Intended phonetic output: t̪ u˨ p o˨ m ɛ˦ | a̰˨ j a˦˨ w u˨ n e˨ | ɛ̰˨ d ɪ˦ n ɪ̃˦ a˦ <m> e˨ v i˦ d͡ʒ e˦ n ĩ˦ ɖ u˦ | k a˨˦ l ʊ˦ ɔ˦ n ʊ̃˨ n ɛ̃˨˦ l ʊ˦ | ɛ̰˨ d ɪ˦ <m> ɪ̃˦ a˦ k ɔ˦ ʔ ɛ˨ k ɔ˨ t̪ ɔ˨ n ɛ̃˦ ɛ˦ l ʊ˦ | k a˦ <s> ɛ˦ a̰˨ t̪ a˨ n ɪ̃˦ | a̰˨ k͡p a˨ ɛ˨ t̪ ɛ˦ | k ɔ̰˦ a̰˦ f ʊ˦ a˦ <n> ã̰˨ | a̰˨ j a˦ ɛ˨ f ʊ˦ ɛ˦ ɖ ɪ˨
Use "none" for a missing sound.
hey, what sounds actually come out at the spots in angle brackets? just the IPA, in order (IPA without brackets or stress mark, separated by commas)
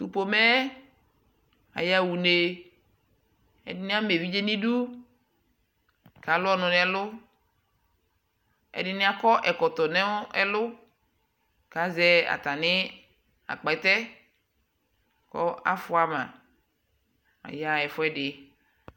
m, n, z, m